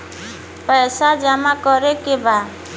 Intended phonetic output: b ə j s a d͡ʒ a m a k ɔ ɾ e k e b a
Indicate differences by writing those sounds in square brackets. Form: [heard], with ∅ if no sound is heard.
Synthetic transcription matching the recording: [p] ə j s a d͡ʒ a m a k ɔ ɾ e k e b a